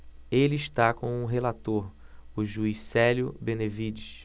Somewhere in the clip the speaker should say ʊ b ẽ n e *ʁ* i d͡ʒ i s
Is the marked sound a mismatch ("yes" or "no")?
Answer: yes